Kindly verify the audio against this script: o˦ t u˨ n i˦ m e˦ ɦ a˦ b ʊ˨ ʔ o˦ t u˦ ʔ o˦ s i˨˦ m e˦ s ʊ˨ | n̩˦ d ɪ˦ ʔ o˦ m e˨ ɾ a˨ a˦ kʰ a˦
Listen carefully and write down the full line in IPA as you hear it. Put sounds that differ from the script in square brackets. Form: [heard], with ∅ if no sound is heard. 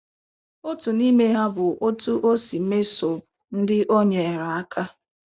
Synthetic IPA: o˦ t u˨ n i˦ m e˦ ɦ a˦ b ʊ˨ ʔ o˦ t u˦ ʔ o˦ s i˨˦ m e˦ s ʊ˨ | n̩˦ d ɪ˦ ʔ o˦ [ɲ] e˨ ɾ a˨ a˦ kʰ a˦